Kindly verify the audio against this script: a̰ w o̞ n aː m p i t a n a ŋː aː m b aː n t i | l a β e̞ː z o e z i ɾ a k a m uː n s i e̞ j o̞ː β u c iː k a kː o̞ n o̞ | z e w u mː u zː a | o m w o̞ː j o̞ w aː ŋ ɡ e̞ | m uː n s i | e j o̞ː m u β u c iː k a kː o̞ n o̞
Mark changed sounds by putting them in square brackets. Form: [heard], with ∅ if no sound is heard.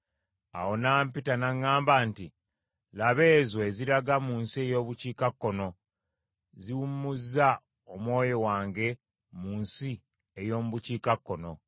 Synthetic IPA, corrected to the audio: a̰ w o̞ n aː m p i t a n a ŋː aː m b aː n t i | l a β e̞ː z o e z i ɾ a [ɡ] a m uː n s i e̞ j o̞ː β u c iː k a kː o̞ n o̞ | z [i] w u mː u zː a | o m w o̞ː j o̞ w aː ŋ ɡ e̞ | m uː n s i | e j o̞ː m u β u c iː k a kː o̞ n o̞

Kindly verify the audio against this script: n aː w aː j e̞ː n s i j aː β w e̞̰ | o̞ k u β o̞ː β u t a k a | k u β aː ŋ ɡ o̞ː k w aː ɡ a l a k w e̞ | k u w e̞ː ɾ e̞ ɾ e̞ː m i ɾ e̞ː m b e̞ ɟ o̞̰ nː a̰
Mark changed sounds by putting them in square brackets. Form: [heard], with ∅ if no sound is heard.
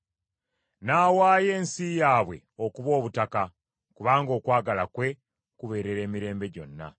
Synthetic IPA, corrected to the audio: n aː w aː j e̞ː n s i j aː β w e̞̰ | o̞ k u β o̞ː β u t a k a | k u β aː ŋ ɡ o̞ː k w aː ɡ a l a k w e̞ | k u [β] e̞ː ɾ e̞ ɾ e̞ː m i ɾ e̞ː m b e̞ ɟ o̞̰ nː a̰

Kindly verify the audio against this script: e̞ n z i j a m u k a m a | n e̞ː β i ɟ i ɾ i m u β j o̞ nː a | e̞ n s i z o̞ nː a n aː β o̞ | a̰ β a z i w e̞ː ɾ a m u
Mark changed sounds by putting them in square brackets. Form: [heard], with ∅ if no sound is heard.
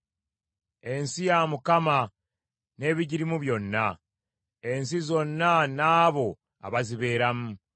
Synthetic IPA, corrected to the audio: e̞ n [s] i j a m u k a m a | n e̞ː β i ɟ i ɾ i m u β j o̞ nː a | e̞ n s i z o̞ nː a n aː β o̞ | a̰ β a z i [β] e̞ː ɾ a m u

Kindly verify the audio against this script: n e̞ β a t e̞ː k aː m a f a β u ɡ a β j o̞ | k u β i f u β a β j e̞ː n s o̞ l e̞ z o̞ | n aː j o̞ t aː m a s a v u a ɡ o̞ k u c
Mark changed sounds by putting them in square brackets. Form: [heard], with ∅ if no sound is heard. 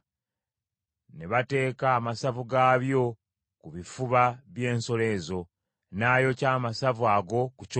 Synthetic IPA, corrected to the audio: n e̞ β a t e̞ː k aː m a [s] a [v] u ɡ a β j o̞ | k u β i f u β a β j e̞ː n s o̞ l e̞ z o̞ | n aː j o̞ [c] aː m a s a v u a ɡ o̞ k u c

